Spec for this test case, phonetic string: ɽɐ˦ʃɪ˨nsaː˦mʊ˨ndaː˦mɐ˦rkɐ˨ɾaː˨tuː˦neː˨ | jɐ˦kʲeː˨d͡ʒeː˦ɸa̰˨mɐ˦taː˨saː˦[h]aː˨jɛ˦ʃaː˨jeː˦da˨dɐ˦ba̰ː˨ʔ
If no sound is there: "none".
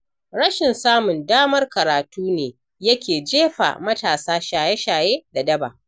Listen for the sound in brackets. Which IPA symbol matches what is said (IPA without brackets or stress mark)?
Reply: ʃ